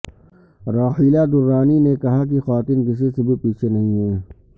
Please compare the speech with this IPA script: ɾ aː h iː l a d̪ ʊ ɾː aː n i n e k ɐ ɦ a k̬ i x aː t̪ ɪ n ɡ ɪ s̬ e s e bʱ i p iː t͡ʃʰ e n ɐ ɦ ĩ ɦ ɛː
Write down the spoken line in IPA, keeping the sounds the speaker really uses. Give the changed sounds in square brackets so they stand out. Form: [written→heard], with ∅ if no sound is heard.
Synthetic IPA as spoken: ɾ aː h iː l a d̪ ʊ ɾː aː n i n e k ɐ ɦ a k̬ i x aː t̪ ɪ n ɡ ɪ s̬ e s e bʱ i p iː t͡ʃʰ e n ɐ ɦ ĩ ɦ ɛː